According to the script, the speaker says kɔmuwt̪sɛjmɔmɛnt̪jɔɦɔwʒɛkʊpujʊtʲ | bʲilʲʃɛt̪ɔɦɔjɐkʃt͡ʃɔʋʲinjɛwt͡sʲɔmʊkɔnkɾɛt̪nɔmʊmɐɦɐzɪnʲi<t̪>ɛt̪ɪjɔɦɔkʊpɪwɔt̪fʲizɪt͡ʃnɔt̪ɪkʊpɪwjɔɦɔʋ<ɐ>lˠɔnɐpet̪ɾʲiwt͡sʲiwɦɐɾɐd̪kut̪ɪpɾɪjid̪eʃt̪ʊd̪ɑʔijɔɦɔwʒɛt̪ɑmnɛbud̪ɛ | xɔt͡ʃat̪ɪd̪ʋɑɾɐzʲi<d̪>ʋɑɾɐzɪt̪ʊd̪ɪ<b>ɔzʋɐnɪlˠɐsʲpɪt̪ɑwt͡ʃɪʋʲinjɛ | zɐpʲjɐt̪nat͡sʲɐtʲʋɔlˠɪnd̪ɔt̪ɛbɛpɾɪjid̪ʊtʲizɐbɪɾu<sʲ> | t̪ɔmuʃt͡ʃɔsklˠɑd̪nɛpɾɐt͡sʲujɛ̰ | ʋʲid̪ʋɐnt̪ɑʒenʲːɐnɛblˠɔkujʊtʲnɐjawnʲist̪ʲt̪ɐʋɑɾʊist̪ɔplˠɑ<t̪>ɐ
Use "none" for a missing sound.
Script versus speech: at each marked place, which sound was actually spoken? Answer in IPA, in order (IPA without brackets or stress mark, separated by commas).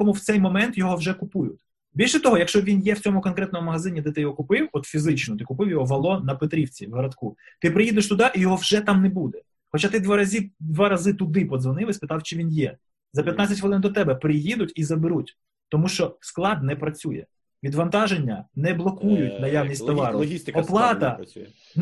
d̪, ɐ, d̪, p, tʲ, t̪